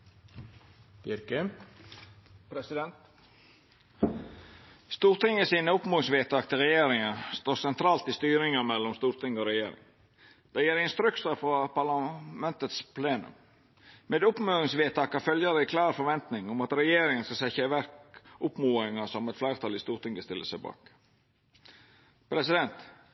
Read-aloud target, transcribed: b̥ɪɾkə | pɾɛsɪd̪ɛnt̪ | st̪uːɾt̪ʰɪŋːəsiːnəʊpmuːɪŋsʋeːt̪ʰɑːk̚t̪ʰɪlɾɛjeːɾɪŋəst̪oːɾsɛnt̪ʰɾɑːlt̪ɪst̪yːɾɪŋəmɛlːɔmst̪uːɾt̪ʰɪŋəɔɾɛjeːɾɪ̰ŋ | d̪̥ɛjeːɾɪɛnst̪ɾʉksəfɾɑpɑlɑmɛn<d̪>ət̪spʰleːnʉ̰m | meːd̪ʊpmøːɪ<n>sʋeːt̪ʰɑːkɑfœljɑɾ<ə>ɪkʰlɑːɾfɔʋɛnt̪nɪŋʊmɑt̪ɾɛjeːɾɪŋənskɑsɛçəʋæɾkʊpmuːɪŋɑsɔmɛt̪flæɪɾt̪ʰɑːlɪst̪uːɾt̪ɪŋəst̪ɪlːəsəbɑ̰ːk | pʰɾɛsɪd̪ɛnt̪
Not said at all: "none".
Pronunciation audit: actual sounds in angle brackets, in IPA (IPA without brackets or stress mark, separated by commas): t̪, ŋ, ə